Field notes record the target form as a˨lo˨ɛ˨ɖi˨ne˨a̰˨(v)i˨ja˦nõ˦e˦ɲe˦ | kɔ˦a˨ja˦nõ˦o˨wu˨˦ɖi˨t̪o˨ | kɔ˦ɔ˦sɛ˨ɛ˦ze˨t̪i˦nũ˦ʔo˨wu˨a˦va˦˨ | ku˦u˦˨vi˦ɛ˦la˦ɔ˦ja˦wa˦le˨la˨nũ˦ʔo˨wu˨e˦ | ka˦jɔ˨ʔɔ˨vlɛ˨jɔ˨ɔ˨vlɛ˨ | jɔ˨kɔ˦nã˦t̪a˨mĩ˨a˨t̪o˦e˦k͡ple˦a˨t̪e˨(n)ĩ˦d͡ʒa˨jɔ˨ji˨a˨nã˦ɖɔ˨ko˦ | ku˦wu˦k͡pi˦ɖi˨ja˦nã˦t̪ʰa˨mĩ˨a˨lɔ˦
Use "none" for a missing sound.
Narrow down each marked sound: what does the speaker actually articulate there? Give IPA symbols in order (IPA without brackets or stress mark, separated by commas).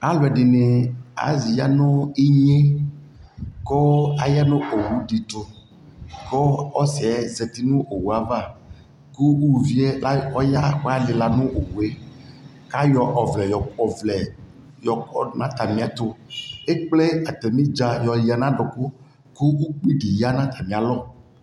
z, m